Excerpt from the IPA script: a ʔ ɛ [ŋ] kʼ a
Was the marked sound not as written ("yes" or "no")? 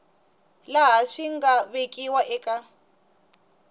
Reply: yes